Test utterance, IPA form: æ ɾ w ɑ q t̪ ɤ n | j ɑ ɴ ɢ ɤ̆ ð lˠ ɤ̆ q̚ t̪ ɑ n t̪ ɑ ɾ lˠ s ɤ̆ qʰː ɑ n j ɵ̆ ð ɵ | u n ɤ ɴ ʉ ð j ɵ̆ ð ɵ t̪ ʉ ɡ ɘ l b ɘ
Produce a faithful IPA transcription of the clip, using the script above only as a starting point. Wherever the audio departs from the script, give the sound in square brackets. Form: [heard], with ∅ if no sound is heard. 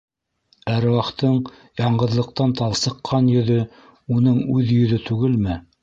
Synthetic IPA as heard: æ ɾ w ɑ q t̪ ɤ [ɴ] | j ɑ ɴ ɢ ɤ̆ ð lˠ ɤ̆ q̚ t̪ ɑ n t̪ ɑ [∅] lˠ s ɤ̆ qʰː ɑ n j ɵ̆ ð ɵ | u n ɤ ɴ ʉ ð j ɵ̆ ð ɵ t̪ ʉ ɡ ɘ l [m] ɘ